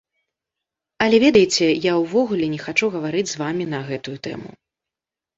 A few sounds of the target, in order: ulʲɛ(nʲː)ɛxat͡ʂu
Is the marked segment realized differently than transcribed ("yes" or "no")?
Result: yes